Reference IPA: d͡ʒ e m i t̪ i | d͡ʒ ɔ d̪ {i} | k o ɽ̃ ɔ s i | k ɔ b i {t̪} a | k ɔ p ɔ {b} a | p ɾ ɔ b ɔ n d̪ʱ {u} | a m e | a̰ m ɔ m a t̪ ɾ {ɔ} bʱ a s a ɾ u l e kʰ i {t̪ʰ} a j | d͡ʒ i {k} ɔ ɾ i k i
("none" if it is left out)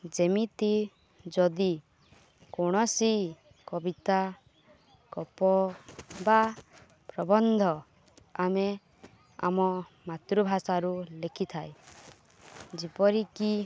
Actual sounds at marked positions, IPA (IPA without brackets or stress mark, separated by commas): i, t̪, b, ɔ, u, t̪ʰ, p